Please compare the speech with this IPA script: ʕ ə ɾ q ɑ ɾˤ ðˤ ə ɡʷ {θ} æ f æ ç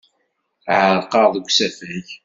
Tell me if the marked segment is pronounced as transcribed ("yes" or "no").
no